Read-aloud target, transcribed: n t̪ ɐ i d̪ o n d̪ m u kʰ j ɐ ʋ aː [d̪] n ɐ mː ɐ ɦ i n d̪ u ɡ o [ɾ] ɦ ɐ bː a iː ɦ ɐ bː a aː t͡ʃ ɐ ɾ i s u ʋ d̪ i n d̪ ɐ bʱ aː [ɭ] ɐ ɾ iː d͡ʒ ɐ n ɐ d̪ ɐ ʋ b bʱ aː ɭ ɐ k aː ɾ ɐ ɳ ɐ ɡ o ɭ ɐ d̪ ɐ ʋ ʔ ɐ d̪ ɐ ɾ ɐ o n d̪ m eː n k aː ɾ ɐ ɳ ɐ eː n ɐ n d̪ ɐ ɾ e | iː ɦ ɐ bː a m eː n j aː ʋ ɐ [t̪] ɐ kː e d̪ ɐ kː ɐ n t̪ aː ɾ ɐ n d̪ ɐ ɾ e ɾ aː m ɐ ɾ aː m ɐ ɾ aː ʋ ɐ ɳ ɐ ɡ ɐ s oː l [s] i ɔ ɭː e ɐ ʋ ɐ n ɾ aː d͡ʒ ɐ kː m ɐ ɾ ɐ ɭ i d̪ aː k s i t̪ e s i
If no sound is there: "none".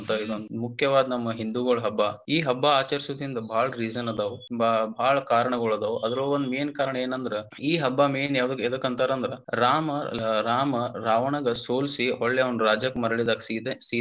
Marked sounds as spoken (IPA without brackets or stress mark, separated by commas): d̪, ɭ, ɭ, d̪, s